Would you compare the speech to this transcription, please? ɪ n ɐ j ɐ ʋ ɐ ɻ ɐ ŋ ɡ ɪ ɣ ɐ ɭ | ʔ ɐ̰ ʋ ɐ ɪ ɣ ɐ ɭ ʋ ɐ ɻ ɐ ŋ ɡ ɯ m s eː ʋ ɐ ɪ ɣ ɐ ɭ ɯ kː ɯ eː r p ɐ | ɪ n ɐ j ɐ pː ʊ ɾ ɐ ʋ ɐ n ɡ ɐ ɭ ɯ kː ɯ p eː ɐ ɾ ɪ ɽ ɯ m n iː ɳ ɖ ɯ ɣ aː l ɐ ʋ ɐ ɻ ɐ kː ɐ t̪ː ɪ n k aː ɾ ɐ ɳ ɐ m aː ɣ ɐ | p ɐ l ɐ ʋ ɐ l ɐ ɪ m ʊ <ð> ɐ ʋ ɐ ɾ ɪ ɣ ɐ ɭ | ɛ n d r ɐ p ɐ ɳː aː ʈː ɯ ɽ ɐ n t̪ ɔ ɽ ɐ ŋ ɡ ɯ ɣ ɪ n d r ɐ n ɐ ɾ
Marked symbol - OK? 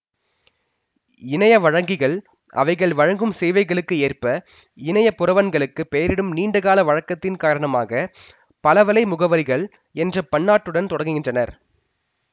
no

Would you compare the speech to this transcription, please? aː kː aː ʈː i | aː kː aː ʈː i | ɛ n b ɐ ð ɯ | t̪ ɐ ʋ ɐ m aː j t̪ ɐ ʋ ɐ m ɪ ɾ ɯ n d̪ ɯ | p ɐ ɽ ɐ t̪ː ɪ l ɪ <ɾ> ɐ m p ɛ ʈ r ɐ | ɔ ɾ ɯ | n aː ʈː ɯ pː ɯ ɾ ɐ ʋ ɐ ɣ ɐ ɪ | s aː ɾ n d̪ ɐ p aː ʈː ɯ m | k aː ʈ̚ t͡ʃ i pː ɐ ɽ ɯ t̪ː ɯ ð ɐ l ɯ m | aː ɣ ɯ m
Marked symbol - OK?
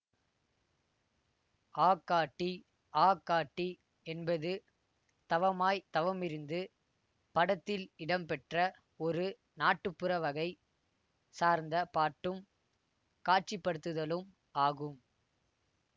no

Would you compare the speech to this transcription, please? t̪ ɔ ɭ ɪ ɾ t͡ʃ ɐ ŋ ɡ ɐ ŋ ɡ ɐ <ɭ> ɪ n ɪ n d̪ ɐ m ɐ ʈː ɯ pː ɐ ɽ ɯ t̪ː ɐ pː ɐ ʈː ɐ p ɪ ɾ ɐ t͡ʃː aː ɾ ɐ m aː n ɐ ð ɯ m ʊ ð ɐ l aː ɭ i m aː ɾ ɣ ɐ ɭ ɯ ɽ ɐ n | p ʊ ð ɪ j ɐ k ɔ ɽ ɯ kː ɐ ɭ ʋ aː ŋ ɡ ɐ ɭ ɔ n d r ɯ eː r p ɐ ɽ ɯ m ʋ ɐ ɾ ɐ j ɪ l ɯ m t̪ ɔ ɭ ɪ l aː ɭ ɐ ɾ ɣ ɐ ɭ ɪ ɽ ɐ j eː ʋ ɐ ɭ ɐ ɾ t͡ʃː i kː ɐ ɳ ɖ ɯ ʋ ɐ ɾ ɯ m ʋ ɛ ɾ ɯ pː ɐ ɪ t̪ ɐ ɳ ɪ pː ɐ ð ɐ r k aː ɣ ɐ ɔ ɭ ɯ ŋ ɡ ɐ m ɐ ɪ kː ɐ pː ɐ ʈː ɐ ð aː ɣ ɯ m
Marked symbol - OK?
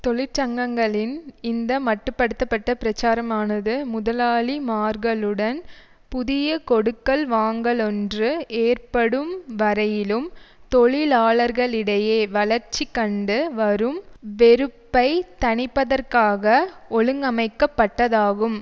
yes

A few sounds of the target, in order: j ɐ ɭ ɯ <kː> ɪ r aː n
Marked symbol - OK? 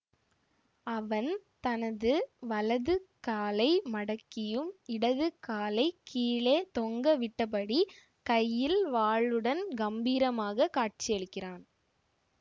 yes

